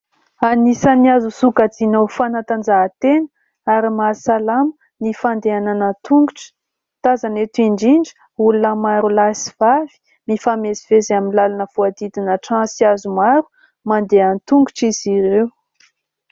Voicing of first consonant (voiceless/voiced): voiced